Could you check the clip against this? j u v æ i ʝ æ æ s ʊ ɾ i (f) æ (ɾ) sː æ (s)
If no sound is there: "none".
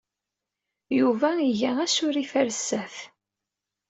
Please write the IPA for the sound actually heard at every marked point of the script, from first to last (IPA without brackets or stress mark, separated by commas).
f, ɾ, θ